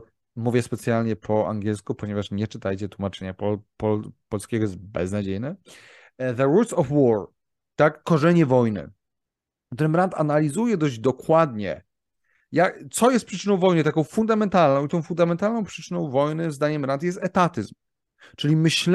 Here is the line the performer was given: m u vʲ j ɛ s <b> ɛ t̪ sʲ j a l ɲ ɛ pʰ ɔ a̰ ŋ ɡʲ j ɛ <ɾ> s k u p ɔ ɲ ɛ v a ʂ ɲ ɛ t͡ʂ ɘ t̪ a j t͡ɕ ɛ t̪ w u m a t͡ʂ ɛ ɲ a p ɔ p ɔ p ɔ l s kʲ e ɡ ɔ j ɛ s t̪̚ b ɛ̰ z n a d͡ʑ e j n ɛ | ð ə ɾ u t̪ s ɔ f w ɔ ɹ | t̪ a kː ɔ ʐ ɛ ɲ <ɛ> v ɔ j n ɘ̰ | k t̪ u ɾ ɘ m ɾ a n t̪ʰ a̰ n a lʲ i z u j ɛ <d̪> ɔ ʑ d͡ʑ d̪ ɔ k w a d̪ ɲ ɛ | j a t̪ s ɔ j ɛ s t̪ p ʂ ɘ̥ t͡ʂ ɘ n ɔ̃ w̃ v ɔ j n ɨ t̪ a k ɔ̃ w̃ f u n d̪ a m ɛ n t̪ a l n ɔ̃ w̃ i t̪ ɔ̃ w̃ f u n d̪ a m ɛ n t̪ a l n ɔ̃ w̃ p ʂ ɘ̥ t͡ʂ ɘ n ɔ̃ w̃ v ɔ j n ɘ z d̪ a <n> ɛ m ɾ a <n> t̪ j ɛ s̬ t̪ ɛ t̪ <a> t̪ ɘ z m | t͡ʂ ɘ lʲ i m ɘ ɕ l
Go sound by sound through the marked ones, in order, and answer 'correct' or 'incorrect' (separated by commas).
incorrect, incorrect, correct, correct, incorrect, correct, correct